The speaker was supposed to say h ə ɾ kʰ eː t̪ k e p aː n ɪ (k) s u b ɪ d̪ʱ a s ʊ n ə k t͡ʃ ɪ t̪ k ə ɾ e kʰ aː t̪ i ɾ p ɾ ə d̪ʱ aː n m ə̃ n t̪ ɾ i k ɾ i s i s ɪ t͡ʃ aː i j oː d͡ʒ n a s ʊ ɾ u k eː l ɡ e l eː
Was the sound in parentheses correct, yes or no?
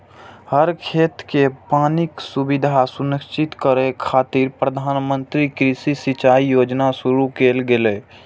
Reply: yes